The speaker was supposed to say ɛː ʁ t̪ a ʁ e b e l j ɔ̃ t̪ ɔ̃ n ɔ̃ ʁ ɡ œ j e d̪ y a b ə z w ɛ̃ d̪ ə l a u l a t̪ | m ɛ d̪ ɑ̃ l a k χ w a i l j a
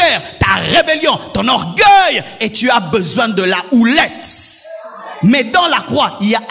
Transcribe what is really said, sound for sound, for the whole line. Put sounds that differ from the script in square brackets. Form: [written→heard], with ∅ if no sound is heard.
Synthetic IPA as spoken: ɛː ʁ t̪ a ʁ e b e l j ɔ̃ t̪ ɔ̃ n [ɔ̃→ɔ] ʁ ɡ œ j e [d̪→t̪] y a b ə z w ɛ̃ d̪ ə l a u l [a→ɛ] t̪ | m ɛ d̪ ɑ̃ l a k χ w a i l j a

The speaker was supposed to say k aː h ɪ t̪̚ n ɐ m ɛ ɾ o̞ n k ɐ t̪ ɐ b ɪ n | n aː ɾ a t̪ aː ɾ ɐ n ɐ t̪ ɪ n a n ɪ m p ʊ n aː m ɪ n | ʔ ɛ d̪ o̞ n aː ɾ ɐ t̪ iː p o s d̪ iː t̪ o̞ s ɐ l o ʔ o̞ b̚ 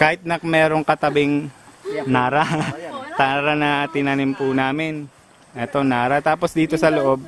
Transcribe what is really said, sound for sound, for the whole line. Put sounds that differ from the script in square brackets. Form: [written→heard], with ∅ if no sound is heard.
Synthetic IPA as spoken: k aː h ɪ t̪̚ n ɐ m [ɛ→ɛː] ɾ o̞ [n→ŋ] k ɐ t̪ ɐ b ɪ [n→ŋ] | n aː ɾ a t̪ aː ɾ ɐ n ɐ t̪ ɪ n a n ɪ m p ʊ n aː m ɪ n | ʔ ɛ [d̪→t̪] o̞ n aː ɾ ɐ t̪ [iː→aː] p o s d̪ iː t̪ o̞ s ɐ l o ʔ o̞ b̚

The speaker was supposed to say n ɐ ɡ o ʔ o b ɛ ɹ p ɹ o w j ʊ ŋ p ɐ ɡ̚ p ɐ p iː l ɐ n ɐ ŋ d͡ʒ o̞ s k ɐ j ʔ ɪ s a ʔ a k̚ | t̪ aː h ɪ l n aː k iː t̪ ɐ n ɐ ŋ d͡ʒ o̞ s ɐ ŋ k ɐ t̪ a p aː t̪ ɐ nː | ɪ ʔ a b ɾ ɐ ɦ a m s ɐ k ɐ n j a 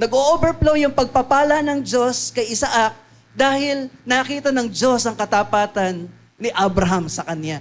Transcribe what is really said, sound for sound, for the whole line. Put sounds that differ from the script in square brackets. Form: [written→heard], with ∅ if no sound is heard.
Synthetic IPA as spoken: n ɐ ɡ o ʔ o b ɛ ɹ p [ɹ→l] o w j ʊ ŋ p ɐ ɡ̚ p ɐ p [iː→aː] l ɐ n ɐ ŋ d͡ʒ o̞ s k ɐ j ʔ ɪ s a ʔ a k̚ | [t̪→d̪] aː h ɪ l n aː k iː t̪ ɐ n ɐ ŋ d͡ʒ o̞ s ɐ ŋ k ɐ t̪ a p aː t̪ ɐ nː | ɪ ʔ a b ɾ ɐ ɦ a m s ɐ k ɐ n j a

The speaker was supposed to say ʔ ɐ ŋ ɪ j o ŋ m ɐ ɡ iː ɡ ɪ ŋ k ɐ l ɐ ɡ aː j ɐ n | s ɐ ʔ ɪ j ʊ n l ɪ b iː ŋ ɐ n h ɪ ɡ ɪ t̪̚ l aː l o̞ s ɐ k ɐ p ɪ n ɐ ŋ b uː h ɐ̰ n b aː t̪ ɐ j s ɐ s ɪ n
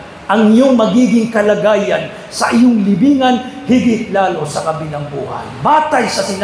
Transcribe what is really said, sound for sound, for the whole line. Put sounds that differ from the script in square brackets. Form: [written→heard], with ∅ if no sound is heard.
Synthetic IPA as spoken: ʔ ɐ ŋ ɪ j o ŋ m ɐ ɡ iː ɡ ɪ ŋ k ɐ l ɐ ɡ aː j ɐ n | s ɐ ʔ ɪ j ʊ [n→ŋ] l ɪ b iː ŋ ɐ n h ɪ ɡ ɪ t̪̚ l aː l o̞ s ɐ k ɐ [p→b] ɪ n ɐ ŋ b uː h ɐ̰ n b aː t̪ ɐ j s ɐ s ɪ n

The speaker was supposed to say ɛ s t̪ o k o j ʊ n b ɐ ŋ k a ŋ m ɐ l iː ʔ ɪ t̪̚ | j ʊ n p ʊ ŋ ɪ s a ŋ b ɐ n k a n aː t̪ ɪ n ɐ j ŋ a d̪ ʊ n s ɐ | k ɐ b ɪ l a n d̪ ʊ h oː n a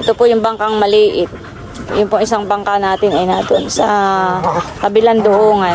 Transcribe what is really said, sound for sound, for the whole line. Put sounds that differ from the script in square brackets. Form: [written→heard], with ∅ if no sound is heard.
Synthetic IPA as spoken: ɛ [s→∅] t̪ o [k→p] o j ʊ [n→ŋ] b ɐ ŋ k a ŋ m ɐ l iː ʔ ɪ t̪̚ | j ʊ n p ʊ ŋ ɪ s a ŋ b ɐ [n→ŋ] k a n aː t̪ ɪ n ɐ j [ŋ→n] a d̪ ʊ n s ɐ | k ɐ b ɪ l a n d̪ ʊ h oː [n→ŋ] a

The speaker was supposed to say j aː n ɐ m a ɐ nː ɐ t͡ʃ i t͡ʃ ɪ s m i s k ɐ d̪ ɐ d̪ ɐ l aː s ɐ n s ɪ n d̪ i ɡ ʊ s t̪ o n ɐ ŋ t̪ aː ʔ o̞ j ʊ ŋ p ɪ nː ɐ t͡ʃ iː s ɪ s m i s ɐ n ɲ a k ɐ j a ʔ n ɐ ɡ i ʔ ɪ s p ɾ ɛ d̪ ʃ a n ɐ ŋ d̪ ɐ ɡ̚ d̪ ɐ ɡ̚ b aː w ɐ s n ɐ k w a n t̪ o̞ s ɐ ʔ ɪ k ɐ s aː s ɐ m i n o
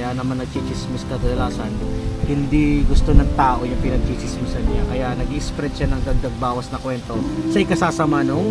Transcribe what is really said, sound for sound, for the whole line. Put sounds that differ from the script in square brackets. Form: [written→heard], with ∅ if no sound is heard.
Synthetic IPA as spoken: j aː n ɐ m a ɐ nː ɐ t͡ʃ i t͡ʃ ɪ s m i s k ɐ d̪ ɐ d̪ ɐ l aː s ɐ n [s→h] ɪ n d̪ i ɡ ʊ s t̪ o n ɐ ŋ t̪ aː ʔ o̞ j ʊ ŋ p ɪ [nː→n] ɐ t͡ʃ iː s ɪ s m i s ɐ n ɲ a k ɐ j a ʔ n ɐ ɡ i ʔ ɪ s p ɾ ɛ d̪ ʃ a n ɐ ŋ d̪ ɐ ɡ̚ d̪ ɐ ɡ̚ b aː w ɐ s n ɐ k w [a→ɛ] n t̪ o̞ s ɐ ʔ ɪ k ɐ s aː s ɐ m [i→a] n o

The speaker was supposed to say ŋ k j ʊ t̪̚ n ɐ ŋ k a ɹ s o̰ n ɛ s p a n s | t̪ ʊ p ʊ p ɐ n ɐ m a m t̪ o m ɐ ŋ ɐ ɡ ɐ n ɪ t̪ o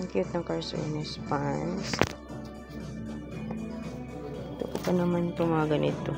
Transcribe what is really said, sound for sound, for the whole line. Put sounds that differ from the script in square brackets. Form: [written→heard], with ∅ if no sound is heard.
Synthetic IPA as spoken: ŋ k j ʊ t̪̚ n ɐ ŋ k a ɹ s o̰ n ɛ s p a n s | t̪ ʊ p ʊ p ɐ n ɐ m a [m→n] t̪ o m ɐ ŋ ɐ ɡ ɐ n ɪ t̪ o

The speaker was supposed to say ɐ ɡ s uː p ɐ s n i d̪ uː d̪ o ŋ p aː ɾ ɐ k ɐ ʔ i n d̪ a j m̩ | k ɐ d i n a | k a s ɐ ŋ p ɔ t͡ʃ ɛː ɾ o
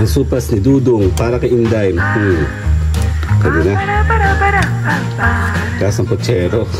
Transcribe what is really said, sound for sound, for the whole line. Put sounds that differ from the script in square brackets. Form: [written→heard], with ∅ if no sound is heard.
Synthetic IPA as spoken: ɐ [ɡ→ŋ] s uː p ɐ s n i d̪ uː d̪ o ŋ p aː ɾ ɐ k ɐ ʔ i n d̪ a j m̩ | k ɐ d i n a | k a s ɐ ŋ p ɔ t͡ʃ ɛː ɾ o

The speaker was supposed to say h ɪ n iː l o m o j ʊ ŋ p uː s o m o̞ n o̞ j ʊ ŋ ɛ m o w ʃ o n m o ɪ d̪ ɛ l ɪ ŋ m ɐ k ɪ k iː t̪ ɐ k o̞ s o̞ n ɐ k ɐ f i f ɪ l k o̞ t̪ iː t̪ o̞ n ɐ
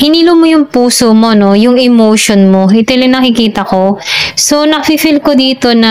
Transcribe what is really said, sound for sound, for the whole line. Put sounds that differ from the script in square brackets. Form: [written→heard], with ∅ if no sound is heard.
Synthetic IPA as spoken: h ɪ n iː l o m o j ʊ ŋ p uː s o m o̞ n o̞ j ʊ ŋ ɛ m o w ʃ o n m o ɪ [d̪→t̪] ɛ l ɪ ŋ [m→n] ɐ k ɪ k iː t̪ ɐ k o̞ s o̞ n ɐ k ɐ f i f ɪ l k o̞ [t̪→d̪] iː t̪ o̞ n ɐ

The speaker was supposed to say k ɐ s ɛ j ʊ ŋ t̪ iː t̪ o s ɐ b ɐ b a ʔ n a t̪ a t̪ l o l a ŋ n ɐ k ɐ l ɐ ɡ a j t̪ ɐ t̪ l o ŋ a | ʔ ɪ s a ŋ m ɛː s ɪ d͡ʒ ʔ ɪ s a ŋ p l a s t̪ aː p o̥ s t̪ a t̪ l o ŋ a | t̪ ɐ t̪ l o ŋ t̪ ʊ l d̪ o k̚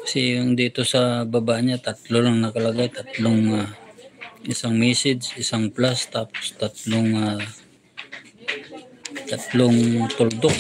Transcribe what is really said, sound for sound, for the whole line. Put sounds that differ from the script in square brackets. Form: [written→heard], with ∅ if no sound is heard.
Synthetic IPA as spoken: k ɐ s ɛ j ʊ ŋ [t̪→d̪] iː t̪ o s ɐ b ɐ b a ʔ [n→ɲ] a t̪ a t̪ l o l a ŋ n ɐ k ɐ l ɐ ɡ a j t̪ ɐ t̪ l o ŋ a | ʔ ɪ s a ŋ m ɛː s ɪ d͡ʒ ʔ ɪ s a ŋ p l a s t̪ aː p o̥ s t̪ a t̪ l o ŋ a | t̪ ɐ t̪ l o ŋ t̪ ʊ l d̪ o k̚

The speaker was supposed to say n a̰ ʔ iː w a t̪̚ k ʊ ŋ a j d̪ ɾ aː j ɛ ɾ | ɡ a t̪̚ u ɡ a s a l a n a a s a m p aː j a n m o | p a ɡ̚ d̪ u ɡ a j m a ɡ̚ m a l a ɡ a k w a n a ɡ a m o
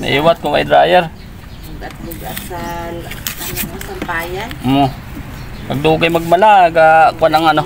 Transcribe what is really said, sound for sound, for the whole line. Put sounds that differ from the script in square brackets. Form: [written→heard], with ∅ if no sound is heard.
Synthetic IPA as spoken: n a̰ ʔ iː w a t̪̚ k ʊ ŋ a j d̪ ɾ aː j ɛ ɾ | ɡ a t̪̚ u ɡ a s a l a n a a s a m p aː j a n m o | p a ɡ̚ d̪ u ɡ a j m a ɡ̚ m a l a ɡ a k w a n a [ɡ→ŋ] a [m→n] o

